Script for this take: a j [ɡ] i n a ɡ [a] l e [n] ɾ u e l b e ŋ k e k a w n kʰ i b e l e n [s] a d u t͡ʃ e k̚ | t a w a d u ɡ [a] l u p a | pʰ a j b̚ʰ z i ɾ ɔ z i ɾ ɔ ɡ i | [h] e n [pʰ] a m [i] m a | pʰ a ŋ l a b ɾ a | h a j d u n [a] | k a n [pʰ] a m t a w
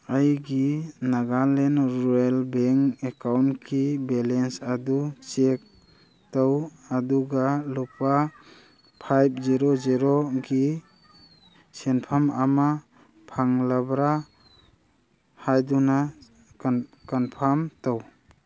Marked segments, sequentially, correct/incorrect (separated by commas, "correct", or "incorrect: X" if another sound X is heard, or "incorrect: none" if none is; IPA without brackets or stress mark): correct, correct, correct, correct, correct, incorrect: s, correct, incorrect: a, correct, correct